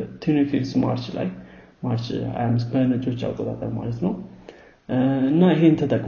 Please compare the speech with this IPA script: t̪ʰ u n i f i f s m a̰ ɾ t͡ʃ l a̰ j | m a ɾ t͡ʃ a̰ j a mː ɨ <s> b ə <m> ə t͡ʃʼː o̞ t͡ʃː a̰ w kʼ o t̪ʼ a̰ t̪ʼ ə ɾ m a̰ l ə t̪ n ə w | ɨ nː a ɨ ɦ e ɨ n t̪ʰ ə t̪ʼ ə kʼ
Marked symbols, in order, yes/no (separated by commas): yes, no